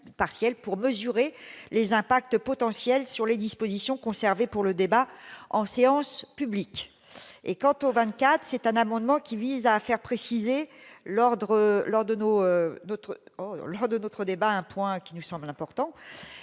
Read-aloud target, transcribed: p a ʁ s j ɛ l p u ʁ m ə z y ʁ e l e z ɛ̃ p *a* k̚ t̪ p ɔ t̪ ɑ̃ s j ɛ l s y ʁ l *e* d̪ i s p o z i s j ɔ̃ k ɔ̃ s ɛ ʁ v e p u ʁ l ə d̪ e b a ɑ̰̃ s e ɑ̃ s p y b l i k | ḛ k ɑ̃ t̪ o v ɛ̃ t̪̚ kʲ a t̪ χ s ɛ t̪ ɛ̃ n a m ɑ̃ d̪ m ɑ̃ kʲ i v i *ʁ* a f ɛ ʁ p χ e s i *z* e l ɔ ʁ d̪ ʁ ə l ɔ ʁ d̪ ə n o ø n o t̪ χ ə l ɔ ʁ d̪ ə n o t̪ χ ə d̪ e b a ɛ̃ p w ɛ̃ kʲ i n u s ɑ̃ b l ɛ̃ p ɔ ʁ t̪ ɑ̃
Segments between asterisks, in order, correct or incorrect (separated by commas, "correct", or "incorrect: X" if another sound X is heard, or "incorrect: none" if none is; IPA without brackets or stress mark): correct, correct, incorrect: z, correct